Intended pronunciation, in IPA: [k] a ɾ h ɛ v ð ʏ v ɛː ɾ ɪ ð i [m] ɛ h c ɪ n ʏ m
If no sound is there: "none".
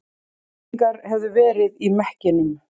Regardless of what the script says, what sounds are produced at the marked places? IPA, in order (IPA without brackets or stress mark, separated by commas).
k, m